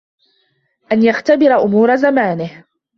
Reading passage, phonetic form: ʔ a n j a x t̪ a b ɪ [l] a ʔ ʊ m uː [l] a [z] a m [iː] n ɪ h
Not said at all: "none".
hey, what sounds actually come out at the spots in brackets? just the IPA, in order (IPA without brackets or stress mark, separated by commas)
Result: ɾ, ɾ, z, aː